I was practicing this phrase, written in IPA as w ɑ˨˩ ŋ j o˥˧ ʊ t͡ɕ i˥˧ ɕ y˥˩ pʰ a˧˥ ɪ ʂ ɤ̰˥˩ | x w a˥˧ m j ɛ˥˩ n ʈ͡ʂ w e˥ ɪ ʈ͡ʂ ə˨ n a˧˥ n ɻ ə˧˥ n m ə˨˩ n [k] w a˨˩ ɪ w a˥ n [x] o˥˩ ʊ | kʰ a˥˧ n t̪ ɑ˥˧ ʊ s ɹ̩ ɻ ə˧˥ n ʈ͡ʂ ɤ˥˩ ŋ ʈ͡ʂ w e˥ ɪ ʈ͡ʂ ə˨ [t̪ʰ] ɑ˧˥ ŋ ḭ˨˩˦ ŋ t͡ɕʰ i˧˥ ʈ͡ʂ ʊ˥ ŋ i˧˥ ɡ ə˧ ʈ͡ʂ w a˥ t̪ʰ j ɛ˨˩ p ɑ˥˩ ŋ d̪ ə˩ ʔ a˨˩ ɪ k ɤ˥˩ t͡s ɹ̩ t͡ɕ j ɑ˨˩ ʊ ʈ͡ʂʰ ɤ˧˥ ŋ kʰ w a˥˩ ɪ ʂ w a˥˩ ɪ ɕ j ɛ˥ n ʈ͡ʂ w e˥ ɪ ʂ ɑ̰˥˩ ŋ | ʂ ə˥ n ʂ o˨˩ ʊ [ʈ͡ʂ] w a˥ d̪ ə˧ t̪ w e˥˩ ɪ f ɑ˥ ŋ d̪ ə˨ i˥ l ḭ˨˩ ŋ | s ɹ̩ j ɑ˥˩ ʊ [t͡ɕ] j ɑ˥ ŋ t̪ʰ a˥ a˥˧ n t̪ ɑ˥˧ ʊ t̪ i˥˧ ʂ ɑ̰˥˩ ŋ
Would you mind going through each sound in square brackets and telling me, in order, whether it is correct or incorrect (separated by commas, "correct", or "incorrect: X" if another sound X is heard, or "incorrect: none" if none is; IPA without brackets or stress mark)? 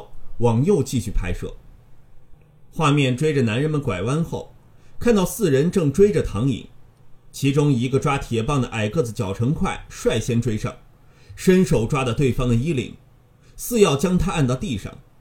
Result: correct, correct, correct, correct, correct